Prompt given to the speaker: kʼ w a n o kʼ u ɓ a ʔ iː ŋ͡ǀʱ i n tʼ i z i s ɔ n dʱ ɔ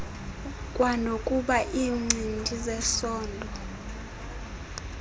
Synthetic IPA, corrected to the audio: kʼ w a n o kʼ u ɓ a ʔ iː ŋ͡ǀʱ i n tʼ i z ɛ s ɔː n dʱ ɔ